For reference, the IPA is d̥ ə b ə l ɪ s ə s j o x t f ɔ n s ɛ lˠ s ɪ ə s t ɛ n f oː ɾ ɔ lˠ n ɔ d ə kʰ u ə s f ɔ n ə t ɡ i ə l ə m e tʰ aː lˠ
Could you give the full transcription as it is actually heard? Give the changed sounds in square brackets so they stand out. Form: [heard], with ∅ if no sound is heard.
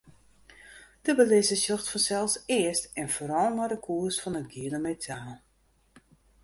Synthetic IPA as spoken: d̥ ə b ə l ɪ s ə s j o x t f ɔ n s ɛ lˠ s ɪ ə s t ɛ n f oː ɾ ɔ lˠ n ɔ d ə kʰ u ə s f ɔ n ə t ɡ i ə l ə m e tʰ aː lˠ